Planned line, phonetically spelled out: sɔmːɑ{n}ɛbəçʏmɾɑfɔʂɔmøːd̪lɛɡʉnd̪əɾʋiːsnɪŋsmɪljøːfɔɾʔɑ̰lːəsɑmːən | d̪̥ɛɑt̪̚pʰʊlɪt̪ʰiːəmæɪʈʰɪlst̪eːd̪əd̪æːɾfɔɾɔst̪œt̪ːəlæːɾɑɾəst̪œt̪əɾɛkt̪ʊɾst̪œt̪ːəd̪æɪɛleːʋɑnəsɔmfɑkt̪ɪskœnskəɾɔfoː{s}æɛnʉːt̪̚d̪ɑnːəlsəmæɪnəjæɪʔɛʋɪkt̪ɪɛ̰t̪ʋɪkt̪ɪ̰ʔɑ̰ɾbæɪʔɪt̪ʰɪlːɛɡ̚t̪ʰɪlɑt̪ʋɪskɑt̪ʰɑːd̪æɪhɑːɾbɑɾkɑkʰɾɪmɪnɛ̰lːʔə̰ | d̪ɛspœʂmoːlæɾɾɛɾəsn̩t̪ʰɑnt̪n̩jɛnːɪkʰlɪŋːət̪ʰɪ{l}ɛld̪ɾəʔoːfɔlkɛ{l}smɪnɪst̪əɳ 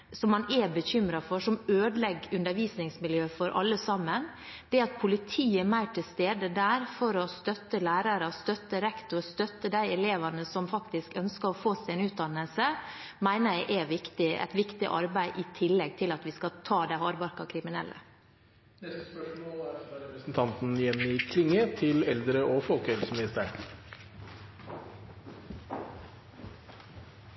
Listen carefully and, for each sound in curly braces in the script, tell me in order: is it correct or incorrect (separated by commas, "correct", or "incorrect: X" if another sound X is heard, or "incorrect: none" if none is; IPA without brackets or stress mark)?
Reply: correct, correct, correct, correct